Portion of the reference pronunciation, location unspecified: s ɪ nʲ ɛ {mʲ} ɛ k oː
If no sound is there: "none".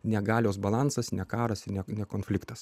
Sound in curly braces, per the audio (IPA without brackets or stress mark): nʲ